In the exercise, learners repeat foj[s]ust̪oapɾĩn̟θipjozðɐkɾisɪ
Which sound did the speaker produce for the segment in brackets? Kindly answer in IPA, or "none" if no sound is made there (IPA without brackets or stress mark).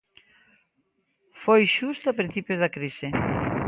ʃ